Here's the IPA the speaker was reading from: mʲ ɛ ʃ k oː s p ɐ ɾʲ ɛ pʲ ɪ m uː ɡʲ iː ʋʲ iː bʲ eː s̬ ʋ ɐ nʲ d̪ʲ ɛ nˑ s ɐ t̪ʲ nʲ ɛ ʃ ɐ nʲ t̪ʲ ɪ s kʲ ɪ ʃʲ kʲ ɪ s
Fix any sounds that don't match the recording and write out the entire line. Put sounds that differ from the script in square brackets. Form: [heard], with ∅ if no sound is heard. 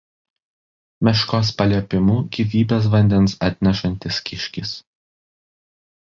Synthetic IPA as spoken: mʲ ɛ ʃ k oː s p ɐ [lʲ] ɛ pʲ ɪ m uː ɡʲ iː ʋʲ iː bʲ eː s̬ ʋ ɐ nʲ d̪ʲ ɛ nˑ s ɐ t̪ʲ nʲ ɛ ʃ ɐ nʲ t̪ʲ ɪ s kʲ ɪ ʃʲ kʲ ɪ s